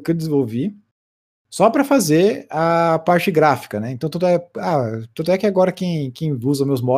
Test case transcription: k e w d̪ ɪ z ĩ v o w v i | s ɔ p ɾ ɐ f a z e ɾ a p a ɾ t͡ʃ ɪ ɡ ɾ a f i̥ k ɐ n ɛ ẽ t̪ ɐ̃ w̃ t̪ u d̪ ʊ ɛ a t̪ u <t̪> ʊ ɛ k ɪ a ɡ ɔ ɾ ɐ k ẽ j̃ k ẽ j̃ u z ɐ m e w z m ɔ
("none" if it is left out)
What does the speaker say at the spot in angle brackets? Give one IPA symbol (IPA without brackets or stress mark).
d̪